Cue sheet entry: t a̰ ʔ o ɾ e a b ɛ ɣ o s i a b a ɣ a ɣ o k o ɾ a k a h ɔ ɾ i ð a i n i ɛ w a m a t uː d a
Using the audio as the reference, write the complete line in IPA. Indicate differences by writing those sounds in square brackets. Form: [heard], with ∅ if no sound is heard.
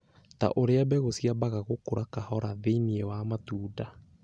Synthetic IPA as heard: t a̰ ʔ o ɾ e a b ɛ ɣ o s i a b a ɣ a ɣ o k o ɾ a k a h ɔ ɾ [a] ð [e] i n i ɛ w a m a t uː d a